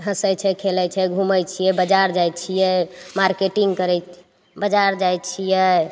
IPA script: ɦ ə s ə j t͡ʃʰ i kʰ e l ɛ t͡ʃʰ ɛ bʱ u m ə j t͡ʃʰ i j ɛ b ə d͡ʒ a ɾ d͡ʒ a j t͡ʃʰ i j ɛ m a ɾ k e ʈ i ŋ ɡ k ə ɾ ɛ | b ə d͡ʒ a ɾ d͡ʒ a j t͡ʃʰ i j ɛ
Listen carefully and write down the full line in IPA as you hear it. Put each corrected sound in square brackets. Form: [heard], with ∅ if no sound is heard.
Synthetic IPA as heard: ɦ ə s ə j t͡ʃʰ [ɛ] kʰ e l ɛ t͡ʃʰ ɛ [ɡʱ] u m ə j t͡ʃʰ i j ɛ b ə d͡ʒ a ɾ d͡ʒ a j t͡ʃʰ i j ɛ m a ɾ k e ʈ i ŋ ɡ k ə ɾ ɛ | b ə d͡ʒ a ɾ d͡ʒ a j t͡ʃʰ i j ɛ